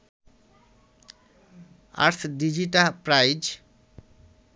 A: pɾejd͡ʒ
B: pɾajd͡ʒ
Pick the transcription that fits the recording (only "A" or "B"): B